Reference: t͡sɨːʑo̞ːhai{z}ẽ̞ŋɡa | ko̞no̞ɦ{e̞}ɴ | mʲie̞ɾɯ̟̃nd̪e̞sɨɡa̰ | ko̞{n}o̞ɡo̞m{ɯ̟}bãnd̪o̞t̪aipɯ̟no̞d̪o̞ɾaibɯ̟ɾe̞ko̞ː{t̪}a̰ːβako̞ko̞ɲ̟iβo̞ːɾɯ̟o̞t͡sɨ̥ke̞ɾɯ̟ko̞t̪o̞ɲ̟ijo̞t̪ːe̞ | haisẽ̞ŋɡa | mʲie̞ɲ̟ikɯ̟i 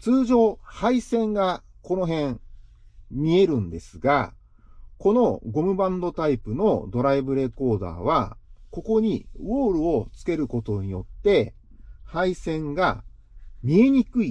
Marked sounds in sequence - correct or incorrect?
incorrect: s, incorrect: ẽ̞, correct, correct, incorrect: d̪

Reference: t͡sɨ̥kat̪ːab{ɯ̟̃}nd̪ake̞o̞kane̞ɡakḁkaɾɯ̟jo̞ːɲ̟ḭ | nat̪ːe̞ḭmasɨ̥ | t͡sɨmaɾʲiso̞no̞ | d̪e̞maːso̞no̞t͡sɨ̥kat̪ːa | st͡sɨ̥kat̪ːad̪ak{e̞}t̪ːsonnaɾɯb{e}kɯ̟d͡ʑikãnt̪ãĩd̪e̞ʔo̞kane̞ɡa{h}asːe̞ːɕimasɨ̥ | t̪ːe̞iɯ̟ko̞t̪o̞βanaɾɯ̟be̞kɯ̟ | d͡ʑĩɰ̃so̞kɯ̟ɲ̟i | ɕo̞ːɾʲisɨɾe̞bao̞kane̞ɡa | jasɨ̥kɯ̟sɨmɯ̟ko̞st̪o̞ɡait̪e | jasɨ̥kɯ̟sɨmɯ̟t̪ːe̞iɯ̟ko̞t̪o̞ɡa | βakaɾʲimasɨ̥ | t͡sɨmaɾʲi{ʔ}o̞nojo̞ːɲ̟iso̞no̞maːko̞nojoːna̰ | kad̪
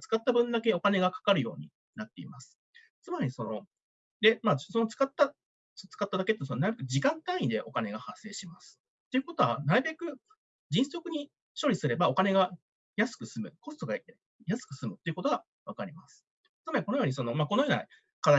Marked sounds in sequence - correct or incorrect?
correct, correct, correct, correct, incorrect: k

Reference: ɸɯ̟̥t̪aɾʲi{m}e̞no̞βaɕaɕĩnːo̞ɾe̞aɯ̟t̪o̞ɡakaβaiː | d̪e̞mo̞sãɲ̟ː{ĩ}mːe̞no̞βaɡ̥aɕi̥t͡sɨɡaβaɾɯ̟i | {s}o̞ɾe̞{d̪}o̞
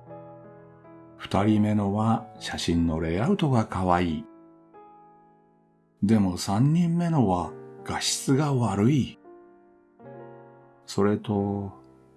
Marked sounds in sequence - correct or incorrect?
correct, correct, correct, incorrect: t̪

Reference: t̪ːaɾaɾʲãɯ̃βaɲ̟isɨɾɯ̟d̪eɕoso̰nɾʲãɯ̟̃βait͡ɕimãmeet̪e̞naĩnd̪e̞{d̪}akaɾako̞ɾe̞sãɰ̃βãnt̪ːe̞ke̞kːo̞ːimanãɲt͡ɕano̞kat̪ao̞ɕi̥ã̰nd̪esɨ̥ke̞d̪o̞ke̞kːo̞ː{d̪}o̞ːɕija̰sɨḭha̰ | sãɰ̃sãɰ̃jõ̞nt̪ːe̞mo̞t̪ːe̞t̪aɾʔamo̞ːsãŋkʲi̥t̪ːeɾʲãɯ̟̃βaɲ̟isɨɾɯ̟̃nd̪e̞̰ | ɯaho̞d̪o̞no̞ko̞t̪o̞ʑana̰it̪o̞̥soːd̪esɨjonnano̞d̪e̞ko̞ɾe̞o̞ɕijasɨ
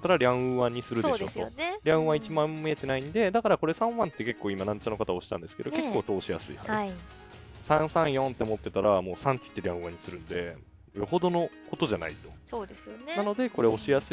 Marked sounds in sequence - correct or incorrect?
correct, incorrect: t̪

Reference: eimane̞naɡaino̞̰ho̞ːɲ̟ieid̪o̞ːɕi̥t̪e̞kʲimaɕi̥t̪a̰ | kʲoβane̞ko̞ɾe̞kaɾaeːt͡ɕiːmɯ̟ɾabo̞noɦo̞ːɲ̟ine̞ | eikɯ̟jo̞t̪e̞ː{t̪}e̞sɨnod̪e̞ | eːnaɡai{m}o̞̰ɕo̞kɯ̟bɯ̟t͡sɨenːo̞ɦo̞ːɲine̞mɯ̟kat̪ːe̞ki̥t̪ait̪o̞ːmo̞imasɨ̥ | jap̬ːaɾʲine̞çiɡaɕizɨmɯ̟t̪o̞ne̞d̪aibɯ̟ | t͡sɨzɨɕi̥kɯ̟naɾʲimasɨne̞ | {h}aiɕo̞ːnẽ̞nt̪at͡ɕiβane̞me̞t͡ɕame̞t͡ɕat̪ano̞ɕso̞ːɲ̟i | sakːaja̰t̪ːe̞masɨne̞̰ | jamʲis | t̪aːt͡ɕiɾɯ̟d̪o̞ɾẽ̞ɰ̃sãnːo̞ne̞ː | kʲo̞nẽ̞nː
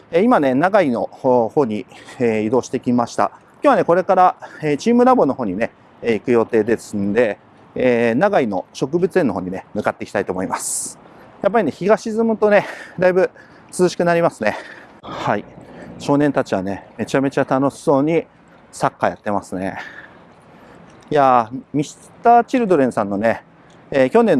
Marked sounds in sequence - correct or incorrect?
incorrect: d̪, incorrect: n, correct

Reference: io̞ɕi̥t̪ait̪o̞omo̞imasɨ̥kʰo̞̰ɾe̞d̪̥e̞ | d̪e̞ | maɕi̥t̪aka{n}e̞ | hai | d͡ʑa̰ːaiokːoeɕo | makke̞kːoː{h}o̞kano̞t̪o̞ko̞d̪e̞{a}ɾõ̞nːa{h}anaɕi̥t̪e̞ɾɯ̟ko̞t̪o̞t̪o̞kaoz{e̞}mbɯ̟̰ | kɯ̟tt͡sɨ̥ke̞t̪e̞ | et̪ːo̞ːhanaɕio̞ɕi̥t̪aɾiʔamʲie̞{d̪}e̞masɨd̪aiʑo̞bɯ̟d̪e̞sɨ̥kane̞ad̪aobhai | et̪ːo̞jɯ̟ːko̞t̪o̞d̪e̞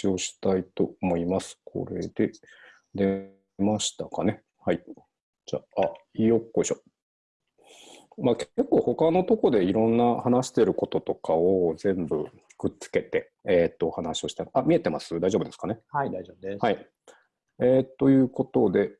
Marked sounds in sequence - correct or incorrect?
correct, correct, incorrect: i, correct, incorrect: ẽ̞, incorrect: t̪

